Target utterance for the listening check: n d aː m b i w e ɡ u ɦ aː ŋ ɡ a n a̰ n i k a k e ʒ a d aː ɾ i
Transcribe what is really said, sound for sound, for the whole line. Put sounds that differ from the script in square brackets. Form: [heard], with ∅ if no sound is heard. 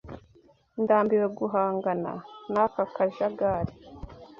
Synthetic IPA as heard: n d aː m b i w e ɡ u ɦ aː ŋ ɡ a n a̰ n [a] k a k [a] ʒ a [ɡ] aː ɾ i